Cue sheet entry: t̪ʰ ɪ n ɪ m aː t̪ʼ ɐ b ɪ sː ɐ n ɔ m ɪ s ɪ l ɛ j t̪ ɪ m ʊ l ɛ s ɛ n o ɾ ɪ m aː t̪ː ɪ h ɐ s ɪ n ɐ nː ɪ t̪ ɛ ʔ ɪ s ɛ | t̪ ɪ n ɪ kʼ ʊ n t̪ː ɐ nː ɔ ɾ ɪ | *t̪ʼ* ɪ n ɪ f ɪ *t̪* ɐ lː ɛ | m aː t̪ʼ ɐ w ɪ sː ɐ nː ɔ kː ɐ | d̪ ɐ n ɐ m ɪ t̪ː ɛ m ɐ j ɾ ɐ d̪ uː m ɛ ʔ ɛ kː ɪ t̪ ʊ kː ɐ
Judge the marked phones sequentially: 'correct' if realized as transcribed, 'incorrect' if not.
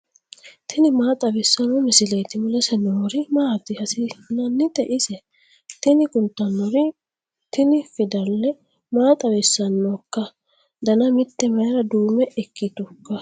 incorrect, incorrect

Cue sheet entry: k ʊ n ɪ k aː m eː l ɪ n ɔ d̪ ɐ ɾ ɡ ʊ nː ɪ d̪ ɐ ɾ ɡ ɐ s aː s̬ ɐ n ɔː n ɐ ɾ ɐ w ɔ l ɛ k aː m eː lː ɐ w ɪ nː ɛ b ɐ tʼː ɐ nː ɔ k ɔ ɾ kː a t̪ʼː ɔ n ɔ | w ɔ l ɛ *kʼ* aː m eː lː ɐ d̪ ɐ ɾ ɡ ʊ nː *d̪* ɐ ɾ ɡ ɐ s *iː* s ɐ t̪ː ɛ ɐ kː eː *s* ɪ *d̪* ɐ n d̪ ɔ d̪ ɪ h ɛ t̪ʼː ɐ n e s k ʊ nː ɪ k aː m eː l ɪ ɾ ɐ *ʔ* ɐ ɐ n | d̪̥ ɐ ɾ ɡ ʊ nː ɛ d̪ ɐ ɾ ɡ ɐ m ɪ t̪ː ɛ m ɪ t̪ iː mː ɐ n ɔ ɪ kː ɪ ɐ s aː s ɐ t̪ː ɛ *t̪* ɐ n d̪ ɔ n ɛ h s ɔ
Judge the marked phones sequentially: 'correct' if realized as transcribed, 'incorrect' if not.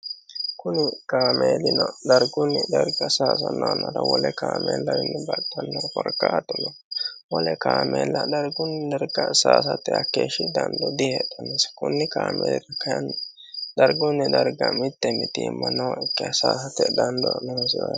incorrect, correct, incorrect, incorrect, correct, incorrect, incorrect

